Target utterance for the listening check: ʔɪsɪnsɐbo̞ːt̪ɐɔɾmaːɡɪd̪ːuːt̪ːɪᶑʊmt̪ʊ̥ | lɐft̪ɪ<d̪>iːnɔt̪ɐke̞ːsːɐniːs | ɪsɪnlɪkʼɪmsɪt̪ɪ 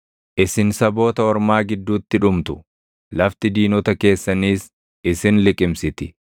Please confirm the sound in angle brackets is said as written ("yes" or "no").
yes